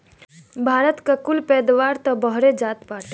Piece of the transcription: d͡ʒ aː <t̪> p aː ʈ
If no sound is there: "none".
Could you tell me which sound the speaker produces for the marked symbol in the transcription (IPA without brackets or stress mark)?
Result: t̪